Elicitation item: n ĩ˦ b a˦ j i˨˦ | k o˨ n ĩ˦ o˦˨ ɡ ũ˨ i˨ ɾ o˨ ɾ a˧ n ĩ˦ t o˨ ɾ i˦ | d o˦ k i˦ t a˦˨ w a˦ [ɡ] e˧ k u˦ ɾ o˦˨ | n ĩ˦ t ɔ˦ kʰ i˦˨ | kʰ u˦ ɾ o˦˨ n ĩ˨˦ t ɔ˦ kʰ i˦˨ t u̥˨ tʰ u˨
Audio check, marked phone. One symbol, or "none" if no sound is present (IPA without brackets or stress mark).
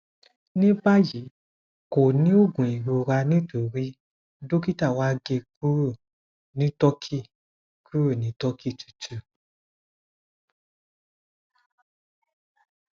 ɡ